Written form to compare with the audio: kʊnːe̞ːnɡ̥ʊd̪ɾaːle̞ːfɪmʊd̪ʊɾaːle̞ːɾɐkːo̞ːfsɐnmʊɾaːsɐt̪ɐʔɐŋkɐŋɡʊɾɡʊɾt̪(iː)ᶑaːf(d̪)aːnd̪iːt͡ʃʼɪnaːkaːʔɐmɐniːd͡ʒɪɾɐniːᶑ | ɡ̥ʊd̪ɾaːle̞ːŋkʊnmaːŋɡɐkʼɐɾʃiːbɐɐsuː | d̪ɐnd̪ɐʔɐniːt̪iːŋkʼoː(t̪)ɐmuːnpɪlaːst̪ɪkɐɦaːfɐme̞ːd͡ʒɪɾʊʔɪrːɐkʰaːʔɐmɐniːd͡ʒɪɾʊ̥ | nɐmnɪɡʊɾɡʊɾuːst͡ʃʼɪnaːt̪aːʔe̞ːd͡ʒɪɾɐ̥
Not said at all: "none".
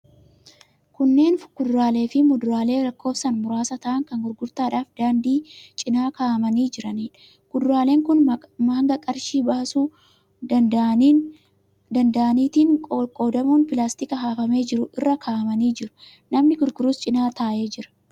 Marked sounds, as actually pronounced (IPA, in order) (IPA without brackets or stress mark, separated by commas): aː, d̪, d̪